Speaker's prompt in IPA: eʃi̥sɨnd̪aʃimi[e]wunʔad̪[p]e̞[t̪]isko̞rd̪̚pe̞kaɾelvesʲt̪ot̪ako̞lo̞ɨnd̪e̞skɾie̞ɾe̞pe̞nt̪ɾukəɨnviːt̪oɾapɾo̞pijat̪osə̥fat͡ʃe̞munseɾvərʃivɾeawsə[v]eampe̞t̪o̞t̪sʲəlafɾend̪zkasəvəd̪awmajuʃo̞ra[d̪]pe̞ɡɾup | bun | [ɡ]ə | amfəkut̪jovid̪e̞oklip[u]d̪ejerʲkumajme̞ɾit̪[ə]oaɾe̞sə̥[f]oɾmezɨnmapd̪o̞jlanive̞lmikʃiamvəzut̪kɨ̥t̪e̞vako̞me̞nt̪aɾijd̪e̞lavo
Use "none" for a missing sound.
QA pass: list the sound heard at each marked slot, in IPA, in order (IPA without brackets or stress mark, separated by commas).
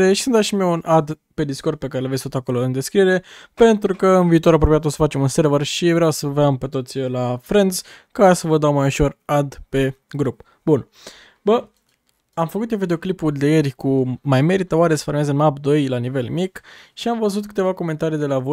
e, p, d̪, v, d̪, b, u, ə, f